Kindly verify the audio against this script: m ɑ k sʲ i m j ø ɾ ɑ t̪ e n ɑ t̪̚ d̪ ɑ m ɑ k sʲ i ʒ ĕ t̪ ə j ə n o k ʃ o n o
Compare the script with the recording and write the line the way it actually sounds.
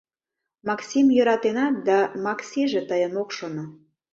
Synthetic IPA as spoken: m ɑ k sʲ i m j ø ɾ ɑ t̪ e n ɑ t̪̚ d̪ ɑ m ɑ k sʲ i ʒ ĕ t̪ ə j ə n o k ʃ o n o

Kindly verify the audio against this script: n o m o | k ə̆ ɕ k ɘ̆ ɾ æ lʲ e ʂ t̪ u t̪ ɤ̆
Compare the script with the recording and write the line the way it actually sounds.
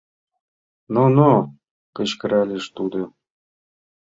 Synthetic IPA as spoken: n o n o | k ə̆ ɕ k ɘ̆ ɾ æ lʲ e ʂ t̪ u d̪ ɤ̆

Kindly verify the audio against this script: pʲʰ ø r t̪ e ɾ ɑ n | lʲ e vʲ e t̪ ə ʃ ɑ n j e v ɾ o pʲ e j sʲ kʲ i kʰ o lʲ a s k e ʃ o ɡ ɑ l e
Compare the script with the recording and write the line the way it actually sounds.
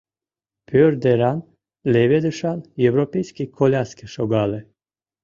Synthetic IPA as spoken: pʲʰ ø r d̪ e ɾ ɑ n | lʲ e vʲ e d̪ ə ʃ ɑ n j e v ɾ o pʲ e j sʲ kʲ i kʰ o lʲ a s k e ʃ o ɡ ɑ l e

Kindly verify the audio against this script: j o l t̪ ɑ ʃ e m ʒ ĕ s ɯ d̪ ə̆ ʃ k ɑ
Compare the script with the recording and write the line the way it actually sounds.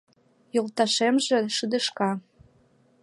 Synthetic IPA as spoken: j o l t̪ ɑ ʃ e m ʒ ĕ ʃ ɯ d̪ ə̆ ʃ k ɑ

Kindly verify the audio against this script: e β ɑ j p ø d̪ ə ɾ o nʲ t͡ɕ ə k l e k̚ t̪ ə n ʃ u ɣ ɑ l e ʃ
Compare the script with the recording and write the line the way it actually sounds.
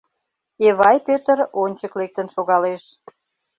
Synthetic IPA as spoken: e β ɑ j p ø t̪ ə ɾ o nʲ t͡ɕ ə k l e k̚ t̪ ə n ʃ o ɣ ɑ l e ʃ

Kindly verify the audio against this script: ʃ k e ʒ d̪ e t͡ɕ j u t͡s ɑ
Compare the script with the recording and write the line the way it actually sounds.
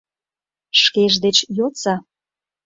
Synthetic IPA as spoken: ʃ k e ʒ d̪ e t͡ɕ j o t͡s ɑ

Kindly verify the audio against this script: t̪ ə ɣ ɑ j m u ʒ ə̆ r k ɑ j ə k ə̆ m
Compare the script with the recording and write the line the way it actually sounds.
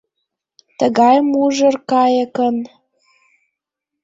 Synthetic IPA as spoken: t̪ ə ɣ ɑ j m u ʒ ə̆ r k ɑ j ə k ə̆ n

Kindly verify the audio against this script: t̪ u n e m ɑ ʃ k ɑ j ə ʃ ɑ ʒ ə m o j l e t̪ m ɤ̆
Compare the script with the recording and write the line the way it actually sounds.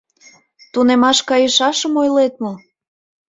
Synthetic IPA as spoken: t̪ u n e m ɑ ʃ k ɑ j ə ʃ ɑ ʃ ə m o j l e t̪ m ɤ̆

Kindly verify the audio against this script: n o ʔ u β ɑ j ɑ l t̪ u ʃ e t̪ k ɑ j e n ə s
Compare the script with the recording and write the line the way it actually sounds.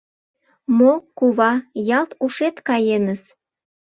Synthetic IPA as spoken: m o k u β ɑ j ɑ l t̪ u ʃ e t̪ k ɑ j e n ə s

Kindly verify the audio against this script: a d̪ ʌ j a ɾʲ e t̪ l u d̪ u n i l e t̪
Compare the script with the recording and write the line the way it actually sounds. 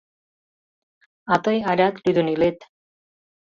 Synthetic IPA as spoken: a t̪ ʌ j a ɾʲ a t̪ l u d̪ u n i l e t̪

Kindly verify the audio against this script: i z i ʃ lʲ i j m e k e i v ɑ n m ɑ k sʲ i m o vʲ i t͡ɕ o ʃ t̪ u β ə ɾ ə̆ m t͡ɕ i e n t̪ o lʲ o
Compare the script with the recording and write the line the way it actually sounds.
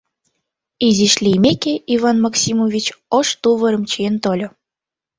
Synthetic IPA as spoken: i z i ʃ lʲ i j m e k e i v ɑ n m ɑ k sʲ i m o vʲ i t͡ɕ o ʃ t̪ u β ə ɾ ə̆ m t͡ɕ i e n t̪ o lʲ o

